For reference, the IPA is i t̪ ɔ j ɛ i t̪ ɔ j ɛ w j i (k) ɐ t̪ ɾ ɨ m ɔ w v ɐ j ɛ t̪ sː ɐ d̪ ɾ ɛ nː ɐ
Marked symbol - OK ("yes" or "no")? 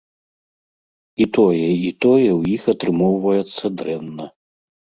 no